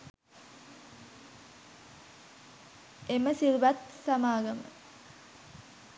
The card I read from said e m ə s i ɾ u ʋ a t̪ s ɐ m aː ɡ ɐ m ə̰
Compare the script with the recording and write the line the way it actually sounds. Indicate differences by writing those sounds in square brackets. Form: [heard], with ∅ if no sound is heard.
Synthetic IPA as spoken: e m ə s i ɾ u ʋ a t̪ s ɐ m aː ɡ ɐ m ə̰